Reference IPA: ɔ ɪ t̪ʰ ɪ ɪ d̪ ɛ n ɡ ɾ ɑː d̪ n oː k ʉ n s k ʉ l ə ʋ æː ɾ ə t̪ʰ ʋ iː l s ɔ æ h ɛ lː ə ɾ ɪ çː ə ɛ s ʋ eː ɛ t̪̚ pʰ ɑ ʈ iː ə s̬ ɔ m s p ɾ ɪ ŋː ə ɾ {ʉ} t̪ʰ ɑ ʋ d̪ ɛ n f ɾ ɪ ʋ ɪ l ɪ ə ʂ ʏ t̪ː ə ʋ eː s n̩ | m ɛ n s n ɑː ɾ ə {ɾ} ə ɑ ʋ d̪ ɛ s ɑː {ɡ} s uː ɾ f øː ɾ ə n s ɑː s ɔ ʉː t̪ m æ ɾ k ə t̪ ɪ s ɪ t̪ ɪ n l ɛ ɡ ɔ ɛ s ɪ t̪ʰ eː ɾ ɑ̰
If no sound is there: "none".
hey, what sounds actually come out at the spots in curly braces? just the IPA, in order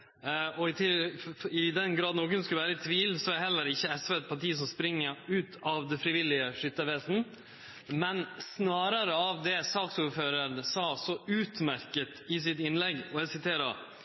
ʉː, ɾ, k

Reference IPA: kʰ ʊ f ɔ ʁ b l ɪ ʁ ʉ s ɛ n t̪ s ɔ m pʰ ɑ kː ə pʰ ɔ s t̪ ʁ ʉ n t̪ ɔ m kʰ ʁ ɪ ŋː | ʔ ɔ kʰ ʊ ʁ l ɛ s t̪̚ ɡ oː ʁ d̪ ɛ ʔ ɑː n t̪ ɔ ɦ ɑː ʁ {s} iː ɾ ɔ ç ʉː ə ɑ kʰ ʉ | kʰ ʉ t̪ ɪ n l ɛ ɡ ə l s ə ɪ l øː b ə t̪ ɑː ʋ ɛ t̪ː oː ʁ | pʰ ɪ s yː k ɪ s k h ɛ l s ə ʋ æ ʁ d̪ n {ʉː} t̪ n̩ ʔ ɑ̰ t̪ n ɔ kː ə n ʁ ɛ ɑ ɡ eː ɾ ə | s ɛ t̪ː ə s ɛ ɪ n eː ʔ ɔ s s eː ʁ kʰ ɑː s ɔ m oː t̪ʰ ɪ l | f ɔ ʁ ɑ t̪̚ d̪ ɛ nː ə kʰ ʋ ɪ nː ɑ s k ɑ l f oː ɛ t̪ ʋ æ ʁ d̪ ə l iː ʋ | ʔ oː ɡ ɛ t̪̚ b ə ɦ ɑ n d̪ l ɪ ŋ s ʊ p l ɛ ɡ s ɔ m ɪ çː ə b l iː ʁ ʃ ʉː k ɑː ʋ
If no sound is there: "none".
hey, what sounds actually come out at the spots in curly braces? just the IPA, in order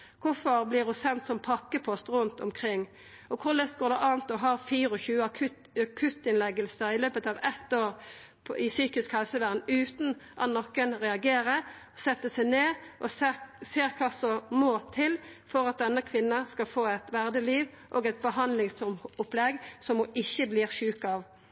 f, ʉː

